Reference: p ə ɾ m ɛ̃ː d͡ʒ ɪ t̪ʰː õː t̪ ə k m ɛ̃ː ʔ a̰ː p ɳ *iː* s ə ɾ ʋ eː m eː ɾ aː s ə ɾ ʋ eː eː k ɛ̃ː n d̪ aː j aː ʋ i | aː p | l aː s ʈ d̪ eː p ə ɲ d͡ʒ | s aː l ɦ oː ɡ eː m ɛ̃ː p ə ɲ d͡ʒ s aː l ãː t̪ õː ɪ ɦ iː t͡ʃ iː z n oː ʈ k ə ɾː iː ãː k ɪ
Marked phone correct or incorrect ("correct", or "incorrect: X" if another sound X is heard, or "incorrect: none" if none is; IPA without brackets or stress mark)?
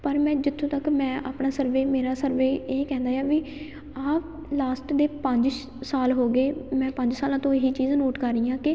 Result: incorrect: aː